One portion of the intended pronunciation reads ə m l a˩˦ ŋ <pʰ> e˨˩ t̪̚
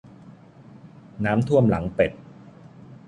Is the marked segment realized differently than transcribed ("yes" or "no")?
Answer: yes